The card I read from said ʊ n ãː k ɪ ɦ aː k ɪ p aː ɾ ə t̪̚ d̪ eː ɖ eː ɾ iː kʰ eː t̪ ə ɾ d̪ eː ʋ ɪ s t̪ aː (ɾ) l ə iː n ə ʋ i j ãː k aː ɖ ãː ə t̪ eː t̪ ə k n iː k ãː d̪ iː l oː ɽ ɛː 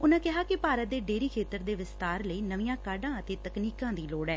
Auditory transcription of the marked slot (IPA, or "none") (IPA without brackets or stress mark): ɾ